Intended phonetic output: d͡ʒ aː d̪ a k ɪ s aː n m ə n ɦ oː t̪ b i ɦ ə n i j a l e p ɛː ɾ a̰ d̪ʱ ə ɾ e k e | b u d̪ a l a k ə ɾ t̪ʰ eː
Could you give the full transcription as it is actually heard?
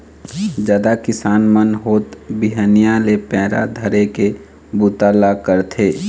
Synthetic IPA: d͡ʒ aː d̪ a k ɪ s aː n m ə n ɦ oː t̪ b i ɦ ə n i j a l e p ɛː ɾ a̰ d̪ʱ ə ɾ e k e | b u t̪ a l a k ə ɾ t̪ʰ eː

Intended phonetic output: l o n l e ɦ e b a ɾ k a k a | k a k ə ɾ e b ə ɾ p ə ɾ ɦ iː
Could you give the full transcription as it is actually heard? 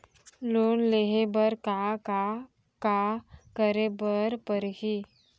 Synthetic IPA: l o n l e ɦ e b ə ɾ k a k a | k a k ə ɾ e b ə ɾ p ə ɾ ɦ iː

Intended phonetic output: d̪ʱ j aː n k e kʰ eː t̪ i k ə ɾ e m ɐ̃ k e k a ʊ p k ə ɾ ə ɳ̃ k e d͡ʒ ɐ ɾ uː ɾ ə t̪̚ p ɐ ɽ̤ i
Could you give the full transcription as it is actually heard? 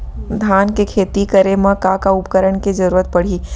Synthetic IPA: d̪ʱ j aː n k e kʰ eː t̪ i k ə ɾ e m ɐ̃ k a k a ʊ p k ə ɾ ə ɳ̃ k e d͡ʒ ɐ ɾ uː ɾ ə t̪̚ p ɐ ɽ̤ i

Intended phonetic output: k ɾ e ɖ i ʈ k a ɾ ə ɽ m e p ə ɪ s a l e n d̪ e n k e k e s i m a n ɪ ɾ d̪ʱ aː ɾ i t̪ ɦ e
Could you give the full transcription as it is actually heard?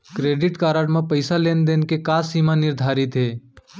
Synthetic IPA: k ɾ e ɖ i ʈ k a ɾ ə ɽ m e p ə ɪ s a l e n d̪ e n k e k a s i m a n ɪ ɾ d̪ʱ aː ɾ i t̪ ɦ e

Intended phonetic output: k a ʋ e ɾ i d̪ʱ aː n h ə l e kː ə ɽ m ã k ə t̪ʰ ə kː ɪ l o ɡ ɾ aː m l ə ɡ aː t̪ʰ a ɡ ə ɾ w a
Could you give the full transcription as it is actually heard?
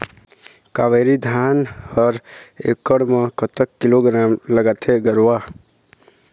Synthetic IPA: k a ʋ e ɾ i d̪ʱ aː n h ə ɾ e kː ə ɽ m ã k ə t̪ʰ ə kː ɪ l o ɡ ɾ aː m l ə ɡ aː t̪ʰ e ɡ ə ɾ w a

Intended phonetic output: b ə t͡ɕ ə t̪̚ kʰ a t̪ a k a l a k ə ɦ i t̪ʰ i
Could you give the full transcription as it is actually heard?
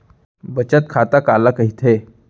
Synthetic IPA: b ə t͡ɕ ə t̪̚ kʰ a t̪ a k a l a k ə ɦ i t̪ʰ e

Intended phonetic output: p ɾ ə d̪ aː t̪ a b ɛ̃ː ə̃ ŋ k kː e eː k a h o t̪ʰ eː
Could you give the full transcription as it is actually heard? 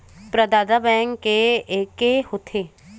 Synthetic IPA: p ɾ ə d̪ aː d̪ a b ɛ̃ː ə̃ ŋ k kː e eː k e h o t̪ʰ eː

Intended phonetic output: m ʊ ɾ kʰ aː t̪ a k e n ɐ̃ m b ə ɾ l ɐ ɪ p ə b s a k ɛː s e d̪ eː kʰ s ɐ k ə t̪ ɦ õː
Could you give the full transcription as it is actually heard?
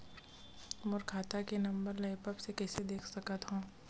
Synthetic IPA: m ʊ ɾ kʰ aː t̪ a k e n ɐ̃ m b ə ɾ l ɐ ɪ p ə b s e k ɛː s e d̪ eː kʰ s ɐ k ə t̪ ɦ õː

